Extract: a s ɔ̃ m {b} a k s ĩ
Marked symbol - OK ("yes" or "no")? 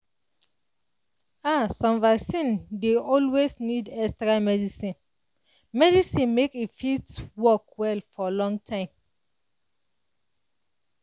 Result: no